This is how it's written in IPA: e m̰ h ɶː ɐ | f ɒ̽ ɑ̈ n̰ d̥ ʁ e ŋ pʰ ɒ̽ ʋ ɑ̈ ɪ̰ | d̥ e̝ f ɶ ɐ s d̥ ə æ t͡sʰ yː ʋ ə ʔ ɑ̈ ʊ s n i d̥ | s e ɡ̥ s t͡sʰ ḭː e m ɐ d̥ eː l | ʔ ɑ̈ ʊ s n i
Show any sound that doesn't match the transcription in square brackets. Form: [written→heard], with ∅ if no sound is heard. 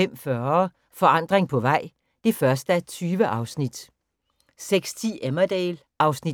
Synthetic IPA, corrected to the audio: e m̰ [h→f] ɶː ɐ | f ɒ̽ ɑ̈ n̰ d̥ ʁ e ŋ pʰ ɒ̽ ʋ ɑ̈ ɪ̰ | d̥ e̝ f ɶ ɐ s d̥ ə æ t͡sʰ yː ʋ ə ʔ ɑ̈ ʊ s n i d̥ | s e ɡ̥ s t͡sʰ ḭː e m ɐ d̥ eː l | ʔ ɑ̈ ʊ s n i

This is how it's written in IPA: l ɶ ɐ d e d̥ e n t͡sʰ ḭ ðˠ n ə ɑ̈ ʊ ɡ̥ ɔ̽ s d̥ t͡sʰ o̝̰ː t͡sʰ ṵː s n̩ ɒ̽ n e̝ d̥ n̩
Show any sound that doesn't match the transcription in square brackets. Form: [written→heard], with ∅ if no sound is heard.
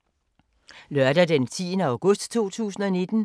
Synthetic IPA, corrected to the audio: l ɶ ɐ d [e→æ] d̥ e n t͡sʰ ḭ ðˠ n ə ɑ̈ ʊ ɡ̥ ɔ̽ s d̥ t͡sʰ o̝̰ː t͡sʰ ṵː s n̩ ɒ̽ n e̝ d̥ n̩

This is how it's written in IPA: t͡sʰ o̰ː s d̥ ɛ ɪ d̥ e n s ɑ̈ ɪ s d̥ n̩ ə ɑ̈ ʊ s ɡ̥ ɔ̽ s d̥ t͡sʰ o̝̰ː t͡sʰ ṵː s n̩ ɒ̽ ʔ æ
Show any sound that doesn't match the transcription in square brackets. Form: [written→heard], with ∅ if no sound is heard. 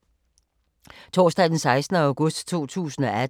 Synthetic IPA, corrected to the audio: t͡sʰ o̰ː s d̥ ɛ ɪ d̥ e n s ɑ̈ ɪ s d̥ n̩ ə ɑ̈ ʊ [s→∅] ɡ̥ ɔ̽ s d̥ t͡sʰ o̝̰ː t͡sʰ ṵː s n̩ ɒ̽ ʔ æ

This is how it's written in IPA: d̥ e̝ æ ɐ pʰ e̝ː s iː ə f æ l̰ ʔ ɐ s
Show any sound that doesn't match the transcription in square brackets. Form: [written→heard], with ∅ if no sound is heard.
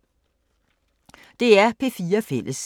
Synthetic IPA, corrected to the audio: d̥ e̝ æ ɐ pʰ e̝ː [s→f] iː [ə→ɐ] f [æ→e] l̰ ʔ [ɐ→ə] s

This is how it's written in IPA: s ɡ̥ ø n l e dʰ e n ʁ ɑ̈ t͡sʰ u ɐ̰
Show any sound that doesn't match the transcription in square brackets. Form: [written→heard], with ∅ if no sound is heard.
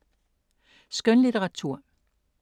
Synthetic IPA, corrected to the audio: s ɡ̥ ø n l [e→i] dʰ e [n→∅] ʁ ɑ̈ t͡sʰ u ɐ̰

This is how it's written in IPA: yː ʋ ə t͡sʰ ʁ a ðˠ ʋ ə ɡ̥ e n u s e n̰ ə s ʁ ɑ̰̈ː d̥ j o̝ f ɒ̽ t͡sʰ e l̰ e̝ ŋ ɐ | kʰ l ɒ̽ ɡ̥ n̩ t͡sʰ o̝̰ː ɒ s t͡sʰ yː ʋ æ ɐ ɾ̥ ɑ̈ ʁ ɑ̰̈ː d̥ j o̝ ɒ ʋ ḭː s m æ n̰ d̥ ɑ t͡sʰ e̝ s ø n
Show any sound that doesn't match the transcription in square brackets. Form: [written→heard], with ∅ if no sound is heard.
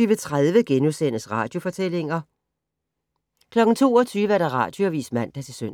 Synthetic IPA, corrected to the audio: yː ʋ ə t͡sʰ ʁ a ðˠ ʋ ə ɡ̥ e n u s e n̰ ə s ʁ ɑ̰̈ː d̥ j o̝ f ɒ̽ t͡sʰ e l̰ e̝ ŋ ɐ | kʰ l ɒ̽ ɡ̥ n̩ t͡sʰ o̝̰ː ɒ [s→∅] t͡sʰ yː ʋ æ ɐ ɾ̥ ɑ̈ ʁ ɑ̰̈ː d̥ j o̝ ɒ ʋ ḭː s m æ n̰ d̥ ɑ t͡sʰ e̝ s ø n

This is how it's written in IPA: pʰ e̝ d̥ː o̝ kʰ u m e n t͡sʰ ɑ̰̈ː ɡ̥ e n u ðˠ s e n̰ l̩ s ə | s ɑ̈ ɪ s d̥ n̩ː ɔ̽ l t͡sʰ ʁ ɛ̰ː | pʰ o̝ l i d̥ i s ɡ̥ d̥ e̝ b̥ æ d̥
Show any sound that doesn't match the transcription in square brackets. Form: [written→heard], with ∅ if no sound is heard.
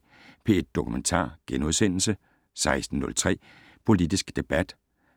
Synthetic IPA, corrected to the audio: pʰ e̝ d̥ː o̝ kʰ u m e n t͡sʰ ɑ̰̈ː ɡ̥ e n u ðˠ s e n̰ l̩ s ə | s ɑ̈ ɪ s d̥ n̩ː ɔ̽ l t͡sʰ ʁ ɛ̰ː | pʰ o̝ l i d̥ i s ɡ̥ d̥ e̝ b̥ æ d̥

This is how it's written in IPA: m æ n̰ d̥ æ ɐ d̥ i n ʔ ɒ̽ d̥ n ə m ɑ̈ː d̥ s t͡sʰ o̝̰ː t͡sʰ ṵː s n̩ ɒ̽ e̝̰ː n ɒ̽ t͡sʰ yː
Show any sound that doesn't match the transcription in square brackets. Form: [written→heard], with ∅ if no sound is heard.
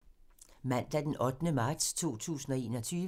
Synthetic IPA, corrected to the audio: m æ n̰ d̥ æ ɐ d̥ [i→e] n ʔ ɒ̽ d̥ n ə m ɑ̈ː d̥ s t͡sʰ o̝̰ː t͡sʰ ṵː s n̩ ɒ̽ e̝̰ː n ɒ̽ t͡sʰ yː

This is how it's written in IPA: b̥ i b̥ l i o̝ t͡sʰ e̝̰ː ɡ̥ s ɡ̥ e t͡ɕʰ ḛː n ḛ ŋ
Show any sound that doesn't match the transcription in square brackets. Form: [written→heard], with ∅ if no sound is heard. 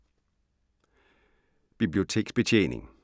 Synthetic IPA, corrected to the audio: b̥ i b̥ l i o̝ t͡sʰ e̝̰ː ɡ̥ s [ɡ̥→b̥] e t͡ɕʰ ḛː n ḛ ŋ

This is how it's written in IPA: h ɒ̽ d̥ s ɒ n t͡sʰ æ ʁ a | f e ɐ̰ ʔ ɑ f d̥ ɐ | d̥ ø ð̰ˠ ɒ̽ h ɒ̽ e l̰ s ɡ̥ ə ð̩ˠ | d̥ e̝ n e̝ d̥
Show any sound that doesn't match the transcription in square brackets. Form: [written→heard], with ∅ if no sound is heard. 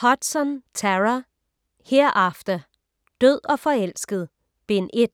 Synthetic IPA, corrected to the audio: h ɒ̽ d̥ s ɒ n t͡sʰ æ ʁ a | [f→h] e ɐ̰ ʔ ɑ f d̥ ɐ | d̥ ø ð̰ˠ ɒ̽ [h→f] ɒ̽ e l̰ s ɡ̥ ə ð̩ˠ | [d̥→b̥] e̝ n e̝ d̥

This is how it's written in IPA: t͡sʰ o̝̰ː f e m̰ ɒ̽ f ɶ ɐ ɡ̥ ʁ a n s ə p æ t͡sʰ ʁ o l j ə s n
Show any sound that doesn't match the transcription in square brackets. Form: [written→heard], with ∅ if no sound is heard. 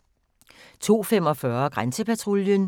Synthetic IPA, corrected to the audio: t͡sʰ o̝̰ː f e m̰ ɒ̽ f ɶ ɐ ɡ̥ ʁ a n s ə p æ t͡sʰ ʁ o l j ə [s→∅] n

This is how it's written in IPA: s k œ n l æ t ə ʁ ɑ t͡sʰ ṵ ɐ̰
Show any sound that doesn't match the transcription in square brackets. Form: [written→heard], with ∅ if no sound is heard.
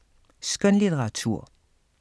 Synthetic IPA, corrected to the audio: s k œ n l [æ→i] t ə ʁ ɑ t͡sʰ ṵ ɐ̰

